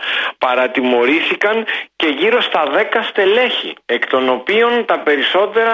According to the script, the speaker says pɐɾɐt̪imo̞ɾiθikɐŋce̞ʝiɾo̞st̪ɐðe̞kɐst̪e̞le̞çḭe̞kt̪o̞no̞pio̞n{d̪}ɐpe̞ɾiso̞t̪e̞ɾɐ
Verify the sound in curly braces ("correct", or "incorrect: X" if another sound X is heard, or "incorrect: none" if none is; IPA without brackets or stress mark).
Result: incorrect: t̪